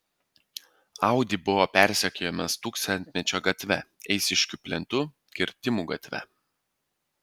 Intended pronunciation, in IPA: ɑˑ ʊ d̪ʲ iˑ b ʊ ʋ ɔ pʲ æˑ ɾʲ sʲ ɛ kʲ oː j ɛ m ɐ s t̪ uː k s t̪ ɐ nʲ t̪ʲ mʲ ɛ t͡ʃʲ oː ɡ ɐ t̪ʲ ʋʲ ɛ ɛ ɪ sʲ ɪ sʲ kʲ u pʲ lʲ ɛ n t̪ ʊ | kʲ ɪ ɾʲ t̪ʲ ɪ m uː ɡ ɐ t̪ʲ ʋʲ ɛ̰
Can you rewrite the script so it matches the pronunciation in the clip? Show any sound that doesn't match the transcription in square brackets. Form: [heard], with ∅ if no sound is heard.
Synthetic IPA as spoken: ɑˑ ʊ d̪ʲ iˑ b ʊ ʋ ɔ pʲ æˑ ɾʲ sʲ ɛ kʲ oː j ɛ m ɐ s t̪ uː k s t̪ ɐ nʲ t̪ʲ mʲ ɛ t͡ʃʲ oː ɡ ɐ t̪ʲ ʋʲ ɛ ɛ ɪ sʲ ɪ [ʃʲ] kʲ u pʲ lʲ ɛ n t̪ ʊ | kʲ ɪ ɾʲ t̪ʲ ɪ m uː ɡ ɐ t̪ʲ ʋʲ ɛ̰